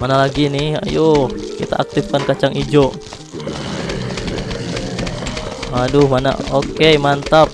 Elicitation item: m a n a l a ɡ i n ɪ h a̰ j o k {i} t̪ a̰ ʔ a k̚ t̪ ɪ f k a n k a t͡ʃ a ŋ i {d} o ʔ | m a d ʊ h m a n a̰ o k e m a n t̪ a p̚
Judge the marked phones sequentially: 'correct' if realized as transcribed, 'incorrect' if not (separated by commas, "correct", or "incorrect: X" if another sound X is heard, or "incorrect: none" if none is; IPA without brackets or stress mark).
correct, incorrect: d͡ʒ